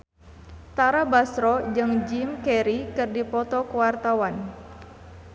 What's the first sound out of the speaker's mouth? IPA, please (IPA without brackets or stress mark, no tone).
t̪